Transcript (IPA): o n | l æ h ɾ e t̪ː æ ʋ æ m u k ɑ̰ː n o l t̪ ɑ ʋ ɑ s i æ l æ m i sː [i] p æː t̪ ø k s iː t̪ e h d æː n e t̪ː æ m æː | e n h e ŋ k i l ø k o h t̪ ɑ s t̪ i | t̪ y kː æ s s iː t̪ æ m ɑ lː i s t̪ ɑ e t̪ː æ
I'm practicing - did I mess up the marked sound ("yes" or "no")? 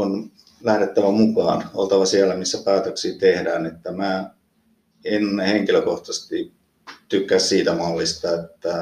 yes